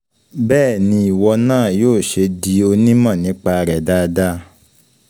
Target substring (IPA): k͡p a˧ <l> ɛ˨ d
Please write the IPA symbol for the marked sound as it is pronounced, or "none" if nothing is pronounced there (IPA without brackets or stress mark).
ɾ